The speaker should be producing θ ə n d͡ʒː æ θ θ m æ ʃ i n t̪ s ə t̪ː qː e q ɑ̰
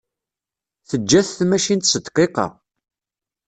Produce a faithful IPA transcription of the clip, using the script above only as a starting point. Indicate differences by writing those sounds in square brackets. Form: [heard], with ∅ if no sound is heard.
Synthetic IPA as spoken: θ ə [∅] d͡ʒː æ θ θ m æ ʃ i n t̪ s ə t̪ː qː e q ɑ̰